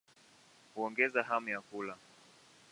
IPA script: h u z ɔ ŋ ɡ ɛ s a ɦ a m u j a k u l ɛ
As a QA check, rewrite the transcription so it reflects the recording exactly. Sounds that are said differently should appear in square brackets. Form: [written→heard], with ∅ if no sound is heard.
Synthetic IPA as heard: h u [z→∅] ɔ ŋ ɡ ɛ [s→z] a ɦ a m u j a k u l [ɛ→a]